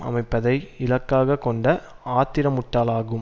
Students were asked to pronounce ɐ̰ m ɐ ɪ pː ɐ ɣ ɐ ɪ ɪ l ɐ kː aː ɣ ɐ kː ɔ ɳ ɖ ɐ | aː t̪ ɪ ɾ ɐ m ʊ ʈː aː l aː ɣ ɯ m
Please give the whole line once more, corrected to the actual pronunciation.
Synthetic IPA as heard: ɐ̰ m ɐ ɪ pː ɐ ð ɐ ɪ ɪ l ɐ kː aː ɣ ɐ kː ɔ ɳ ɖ ɐ | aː t̪ ɪ ɾ ɐ m ʊ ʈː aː l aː ɣ ɯ m